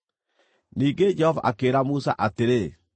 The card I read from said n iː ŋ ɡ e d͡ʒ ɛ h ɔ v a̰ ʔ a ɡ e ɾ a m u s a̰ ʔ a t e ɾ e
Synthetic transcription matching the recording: n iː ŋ ɡ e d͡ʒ ɛ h ɔ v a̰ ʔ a k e ɾ a m u s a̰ ʔ a t e ɾ e